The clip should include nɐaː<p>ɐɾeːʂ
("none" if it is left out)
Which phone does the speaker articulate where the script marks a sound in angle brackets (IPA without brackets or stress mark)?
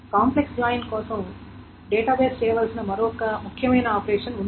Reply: p